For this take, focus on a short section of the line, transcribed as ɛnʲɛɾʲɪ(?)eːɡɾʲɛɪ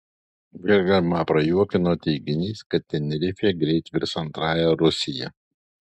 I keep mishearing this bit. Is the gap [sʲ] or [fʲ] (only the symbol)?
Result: fʲ